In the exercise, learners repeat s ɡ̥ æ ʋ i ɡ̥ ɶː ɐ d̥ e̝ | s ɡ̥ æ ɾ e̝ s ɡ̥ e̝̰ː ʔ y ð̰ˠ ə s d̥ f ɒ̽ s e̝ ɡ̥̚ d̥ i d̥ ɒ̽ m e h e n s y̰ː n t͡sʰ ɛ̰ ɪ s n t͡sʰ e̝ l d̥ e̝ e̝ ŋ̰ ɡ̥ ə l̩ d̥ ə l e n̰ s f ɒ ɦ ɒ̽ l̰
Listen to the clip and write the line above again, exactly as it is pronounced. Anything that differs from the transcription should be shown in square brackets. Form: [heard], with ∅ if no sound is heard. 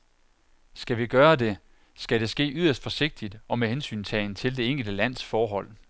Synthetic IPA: s ɡ̥ æ ʋ i ɡ̥ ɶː ɐ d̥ e̝ | s ɡ̥ æ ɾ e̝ s ɡ̥ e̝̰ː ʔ y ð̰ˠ [ɐ] s d̥ f ɒ̽ s e̝ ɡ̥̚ d̥ i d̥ ɒ̽ m e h e n s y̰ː n t͡sʰ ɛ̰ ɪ [∅] n t͡sʰ e̝ l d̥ e̝ e̝ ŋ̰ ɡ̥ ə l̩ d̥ ə l [æ] n̰ s f [ɒː] ɦ ɒ̽ l̰